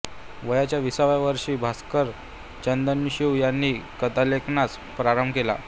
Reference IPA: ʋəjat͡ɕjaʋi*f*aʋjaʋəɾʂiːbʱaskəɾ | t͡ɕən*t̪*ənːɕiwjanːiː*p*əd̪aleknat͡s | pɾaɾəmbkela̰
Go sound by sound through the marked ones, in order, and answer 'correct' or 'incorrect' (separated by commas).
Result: incorrect, incorrect, incorrect